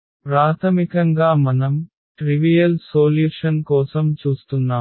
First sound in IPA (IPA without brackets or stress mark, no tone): p